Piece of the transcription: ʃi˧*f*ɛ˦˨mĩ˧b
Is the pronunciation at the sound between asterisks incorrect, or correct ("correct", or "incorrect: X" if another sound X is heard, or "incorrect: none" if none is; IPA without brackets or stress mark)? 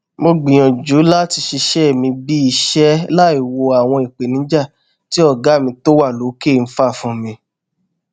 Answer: incorrect: ʃ